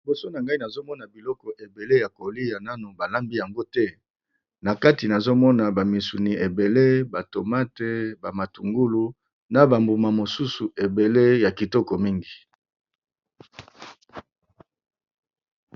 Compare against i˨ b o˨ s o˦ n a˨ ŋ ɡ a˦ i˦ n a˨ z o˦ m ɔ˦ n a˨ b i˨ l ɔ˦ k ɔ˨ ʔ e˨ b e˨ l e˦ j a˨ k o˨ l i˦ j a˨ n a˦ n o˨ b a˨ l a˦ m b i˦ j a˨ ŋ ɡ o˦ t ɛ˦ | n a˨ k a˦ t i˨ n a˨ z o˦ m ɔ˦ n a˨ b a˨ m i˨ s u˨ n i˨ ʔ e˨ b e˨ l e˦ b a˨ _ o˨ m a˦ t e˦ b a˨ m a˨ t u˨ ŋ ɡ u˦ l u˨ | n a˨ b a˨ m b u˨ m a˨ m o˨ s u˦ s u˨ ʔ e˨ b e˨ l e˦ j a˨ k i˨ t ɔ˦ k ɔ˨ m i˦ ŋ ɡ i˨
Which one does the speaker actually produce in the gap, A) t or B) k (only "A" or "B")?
A